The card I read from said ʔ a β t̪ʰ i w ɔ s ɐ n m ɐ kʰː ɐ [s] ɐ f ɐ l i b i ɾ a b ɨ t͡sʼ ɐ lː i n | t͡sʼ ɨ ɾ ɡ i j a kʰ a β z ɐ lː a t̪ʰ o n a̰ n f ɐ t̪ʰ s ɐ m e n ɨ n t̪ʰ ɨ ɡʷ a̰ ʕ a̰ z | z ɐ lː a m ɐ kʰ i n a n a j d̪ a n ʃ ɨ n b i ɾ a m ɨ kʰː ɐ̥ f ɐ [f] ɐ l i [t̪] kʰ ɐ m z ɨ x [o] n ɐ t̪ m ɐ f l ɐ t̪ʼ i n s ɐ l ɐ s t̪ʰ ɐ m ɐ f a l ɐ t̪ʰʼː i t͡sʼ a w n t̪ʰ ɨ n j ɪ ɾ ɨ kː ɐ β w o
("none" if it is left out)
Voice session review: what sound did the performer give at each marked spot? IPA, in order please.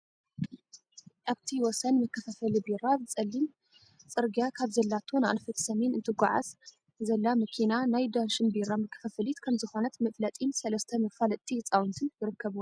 f, f, t̪, o

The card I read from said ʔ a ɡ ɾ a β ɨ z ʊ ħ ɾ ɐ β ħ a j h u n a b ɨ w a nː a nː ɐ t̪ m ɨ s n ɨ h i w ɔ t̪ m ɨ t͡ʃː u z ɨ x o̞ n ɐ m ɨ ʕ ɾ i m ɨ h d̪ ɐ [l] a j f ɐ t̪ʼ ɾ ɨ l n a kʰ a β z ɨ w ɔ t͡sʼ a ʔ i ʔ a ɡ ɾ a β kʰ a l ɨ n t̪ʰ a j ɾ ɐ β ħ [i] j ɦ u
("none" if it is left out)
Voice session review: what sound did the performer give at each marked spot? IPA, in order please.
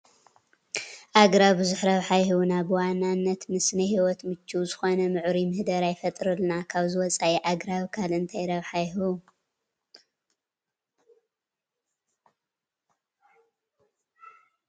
ɾ, a

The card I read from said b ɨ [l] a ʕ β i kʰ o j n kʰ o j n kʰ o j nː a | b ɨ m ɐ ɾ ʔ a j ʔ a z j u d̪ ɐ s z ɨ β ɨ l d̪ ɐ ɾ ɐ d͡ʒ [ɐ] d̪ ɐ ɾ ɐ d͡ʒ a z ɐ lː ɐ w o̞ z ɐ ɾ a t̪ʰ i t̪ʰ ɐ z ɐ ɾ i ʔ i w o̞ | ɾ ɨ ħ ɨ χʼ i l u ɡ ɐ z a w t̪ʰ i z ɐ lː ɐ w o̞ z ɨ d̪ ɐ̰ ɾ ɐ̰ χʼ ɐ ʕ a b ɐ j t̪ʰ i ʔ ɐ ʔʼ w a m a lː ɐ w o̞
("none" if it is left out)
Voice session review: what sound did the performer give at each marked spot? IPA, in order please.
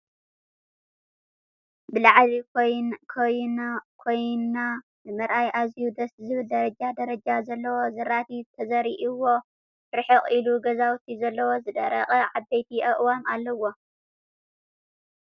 l, a

